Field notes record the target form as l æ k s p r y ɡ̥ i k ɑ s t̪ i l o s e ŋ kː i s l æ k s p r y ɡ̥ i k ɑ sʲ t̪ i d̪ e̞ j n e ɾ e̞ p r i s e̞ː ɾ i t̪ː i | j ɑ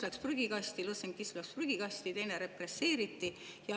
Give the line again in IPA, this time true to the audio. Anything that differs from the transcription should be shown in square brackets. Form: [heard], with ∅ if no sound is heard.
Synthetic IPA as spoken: l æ k s p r y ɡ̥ i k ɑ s t̪ i l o s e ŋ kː i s l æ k s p r y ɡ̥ i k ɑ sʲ t̪ i [t̪] e̞ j n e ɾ e̞ p r [e] s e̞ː ɾ i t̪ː i | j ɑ